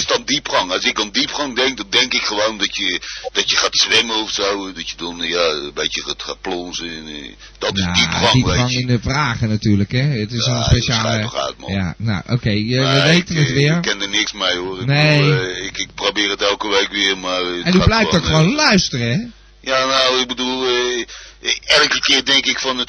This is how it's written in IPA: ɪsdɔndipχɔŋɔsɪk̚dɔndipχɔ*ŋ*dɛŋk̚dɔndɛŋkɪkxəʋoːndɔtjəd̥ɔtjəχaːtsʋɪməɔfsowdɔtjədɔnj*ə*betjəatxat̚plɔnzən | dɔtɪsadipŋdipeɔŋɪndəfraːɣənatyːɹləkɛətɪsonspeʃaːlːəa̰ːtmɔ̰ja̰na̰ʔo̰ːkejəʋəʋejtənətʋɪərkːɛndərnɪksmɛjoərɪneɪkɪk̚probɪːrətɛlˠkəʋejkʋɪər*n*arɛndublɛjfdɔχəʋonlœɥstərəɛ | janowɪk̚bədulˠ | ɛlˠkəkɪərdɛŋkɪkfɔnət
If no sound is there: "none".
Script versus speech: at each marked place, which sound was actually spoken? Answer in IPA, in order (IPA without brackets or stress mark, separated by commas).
ŋ, a, m